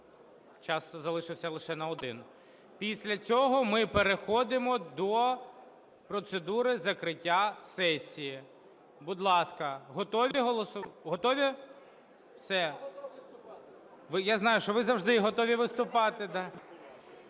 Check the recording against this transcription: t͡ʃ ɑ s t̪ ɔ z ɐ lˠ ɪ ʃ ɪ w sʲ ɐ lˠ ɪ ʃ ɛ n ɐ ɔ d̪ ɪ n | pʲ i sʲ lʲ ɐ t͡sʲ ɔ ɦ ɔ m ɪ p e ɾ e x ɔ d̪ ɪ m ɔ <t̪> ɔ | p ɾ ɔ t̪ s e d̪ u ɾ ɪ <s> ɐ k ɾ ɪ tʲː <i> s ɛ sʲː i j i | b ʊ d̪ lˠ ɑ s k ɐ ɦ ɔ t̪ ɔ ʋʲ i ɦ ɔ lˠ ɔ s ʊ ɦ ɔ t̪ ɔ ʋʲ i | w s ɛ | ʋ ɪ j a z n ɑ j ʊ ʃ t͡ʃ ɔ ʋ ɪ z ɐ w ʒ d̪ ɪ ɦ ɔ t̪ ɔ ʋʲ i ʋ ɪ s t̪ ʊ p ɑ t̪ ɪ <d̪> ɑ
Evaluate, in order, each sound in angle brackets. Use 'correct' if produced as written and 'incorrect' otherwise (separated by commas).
incorrect, incorrect, incorrect, correct